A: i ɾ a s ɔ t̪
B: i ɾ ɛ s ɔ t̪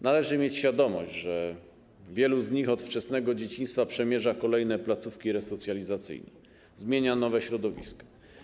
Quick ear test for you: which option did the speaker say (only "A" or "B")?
B